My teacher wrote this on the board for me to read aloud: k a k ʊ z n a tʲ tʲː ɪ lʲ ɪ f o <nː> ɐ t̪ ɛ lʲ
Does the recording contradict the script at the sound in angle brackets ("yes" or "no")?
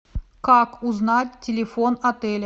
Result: yes